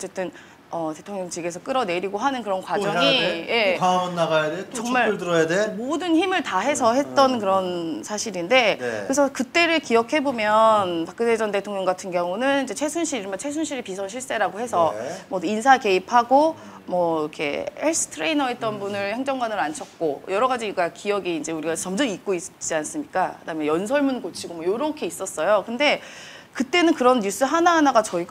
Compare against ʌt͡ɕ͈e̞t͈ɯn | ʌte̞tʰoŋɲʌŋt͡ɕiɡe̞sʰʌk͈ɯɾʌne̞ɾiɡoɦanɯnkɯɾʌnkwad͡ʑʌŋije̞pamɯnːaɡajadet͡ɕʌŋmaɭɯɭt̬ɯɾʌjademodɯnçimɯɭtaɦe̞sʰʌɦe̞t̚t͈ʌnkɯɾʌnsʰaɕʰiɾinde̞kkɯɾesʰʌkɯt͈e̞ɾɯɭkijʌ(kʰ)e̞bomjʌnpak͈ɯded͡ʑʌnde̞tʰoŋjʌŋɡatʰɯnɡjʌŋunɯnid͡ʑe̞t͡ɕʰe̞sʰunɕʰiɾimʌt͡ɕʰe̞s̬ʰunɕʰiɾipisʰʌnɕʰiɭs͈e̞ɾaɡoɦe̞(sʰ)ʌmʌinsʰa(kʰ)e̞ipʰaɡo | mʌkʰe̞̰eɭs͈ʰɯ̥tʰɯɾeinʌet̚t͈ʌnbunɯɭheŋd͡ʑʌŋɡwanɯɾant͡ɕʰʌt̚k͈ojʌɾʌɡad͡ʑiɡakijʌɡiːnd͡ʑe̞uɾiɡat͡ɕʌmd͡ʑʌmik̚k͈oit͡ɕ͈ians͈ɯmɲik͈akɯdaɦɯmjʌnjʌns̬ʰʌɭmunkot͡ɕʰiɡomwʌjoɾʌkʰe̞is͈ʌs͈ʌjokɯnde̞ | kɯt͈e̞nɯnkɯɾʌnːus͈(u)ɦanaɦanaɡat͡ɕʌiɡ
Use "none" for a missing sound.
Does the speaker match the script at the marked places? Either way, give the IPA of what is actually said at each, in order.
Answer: kʰ, sʰ, k, ɯ

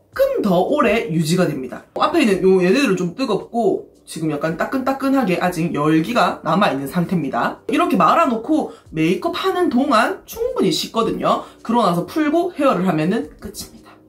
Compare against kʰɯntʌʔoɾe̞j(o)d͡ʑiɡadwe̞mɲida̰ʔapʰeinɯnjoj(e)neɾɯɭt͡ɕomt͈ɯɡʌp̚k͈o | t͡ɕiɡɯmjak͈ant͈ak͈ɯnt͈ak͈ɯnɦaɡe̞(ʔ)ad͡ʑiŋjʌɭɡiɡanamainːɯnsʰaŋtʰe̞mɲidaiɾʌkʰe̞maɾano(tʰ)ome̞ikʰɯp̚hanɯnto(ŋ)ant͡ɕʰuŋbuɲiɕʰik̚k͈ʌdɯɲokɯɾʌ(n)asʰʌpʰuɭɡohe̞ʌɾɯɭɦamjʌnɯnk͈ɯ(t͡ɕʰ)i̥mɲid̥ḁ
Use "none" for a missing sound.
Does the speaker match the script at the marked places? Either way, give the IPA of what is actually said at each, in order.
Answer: u, e, ʔ, kʰ, ŋ, n, t͡ɕʰ

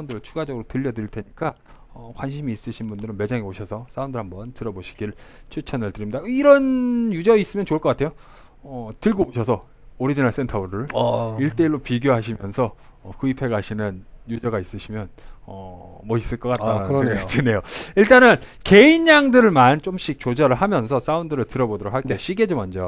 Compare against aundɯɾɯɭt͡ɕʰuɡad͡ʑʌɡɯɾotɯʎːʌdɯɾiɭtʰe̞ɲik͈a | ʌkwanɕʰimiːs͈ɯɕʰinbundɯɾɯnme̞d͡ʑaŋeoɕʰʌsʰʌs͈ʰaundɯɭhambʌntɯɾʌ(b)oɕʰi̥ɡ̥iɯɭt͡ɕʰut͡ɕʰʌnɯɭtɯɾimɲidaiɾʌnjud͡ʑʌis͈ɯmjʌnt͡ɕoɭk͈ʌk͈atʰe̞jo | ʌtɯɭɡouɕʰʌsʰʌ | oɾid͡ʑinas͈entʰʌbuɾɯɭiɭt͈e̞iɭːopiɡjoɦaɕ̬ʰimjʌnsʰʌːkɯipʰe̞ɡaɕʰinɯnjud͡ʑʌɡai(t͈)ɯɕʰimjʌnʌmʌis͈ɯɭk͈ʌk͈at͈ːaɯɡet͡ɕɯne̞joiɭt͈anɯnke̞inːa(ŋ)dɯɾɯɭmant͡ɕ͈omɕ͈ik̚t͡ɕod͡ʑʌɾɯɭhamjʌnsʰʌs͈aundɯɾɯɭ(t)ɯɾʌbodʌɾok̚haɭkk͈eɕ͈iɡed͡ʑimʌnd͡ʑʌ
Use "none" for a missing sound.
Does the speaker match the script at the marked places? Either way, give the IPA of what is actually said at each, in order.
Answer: b, s͈, ŋ, t

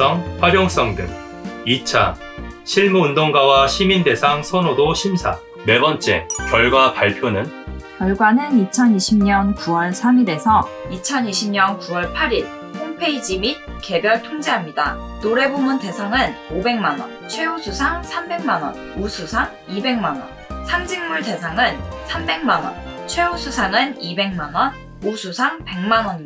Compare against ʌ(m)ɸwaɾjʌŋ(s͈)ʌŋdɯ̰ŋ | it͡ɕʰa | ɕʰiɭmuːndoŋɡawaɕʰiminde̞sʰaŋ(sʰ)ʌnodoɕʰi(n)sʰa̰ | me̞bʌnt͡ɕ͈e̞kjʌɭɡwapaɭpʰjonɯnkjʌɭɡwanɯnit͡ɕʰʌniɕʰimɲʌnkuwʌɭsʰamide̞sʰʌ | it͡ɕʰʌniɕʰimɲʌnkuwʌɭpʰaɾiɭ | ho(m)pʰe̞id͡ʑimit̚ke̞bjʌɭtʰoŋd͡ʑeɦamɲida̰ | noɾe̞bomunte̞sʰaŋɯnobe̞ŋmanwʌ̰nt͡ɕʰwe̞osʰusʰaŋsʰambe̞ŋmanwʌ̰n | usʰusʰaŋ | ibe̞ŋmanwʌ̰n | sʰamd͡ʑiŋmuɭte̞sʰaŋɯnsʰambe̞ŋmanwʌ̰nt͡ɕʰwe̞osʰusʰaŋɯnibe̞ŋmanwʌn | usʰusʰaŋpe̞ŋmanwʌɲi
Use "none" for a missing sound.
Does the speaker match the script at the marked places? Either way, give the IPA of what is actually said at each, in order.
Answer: ŋ, s͈, sʰ, m, ŋ

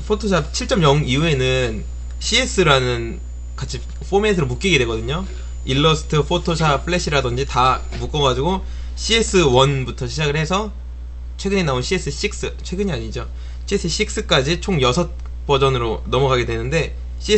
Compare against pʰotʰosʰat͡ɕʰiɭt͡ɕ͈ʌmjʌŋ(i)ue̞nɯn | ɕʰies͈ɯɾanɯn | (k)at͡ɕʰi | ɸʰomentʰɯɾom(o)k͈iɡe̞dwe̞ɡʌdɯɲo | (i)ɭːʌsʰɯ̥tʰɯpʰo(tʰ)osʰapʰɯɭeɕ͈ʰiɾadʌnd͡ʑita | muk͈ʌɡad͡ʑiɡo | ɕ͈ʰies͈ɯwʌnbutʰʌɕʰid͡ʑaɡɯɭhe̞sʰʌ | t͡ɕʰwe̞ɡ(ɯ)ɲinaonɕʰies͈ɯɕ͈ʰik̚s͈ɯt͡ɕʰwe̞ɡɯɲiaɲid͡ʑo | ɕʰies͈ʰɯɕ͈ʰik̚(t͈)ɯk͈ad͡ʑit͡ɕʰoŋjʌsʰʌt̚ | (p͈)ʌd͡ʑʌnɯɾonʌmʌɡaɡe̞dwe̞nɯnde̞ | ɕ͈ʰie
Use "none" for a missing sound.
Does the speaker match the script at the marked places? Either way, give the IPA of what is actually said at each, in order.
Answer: i, k, u, i, tʰ, ɯ, s͈, p͈

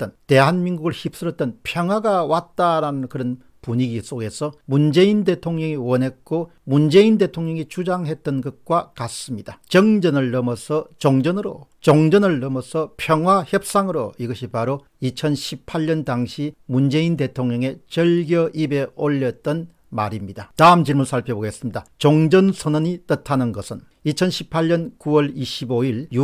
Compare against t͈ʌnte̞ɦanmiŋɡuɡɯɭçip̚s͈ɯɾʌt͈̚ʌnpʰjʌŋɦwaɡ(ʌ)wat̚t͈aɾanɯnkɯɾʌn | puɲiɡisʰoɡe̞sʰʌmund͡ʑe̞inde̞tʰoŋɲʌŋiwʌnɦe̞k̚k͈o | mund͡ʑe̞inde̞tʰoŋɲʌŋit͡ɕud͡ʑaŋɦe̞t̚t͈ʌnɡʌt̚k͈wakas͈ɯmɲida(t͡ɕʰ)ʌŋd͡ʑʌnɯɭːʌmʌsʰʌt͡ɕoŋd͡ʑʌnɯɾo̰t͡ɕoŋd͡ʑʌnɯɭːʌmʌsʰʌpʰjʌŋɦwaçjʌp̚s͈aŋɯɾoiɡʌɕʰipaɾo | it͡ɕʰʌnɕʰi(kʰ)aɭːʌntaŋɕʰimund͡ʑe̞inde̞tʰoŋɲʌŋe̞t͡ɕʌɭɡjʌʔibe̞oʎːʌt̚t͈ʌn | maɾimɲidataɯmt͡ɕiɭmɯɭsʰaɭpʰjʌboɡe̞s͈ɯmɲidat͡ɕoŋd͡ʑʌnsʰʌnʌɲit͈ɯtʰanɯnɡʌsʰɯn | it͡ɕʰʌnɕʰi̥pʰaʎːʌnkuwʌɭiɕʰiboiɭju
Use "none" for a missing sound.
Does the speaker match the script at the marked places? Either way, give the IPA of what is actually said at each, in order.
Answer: a, t͡ɕ, pʰ

